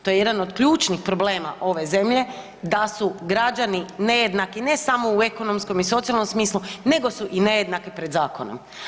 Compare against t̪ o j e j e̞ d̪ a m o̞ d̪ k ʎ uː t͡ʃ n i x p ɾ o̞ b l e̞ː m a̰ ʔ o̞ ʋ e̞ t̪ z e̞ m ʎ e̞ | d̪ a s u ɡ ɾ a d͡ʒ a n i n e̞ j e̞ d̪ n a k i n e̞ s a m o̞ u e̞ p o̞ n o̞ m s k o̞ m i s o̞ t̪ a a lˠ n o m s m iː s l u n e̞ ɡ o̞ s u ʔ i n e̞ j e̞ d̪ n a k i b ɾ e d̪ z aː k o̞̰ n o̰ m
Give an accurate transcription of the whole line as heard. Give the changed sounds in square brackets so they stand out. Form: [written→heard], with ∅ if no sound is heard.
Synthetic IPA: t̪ o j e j e̞ d̪ a [m→n] o̞ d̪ k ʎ uː t͡ʃ n i x p ɾ o̞ b l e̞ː m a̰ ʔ o̞ ʋ e̞ [t̪→∅] z e̞ m ʎ e̞ | d̪ a s u ɡ ɾ a d͡ʒ a n i n e̞ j e̞ d̪ n a k i n e̞ s a m o̞ u e̞ [p→k] o̞ n o̞ m s k o̞ m i s o̞ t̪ [a→i] a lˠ n o m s m iː s l u n e̞ ɡ o̞ s u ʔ i n e̞ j e̞ d̪ n a k i [b→p] ɾ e d̪ z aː k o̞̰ n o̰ m